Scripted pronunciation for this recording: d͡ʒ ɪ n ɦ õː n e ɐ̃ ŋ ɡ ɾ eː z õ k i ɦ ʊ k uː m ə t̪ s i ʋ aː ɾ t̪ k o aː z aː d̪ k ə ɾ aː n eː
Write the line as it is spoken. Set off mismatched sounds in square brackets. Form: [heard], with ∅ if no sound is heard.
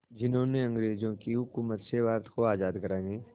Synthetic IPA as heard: d͡ʒ ɪ n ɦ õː n e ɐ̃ ŋ ɡ ɾ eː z õ k i ɦ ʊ k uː m ə t̪ s [e] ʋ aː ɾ t̪ k o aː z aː d̪ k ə ɾ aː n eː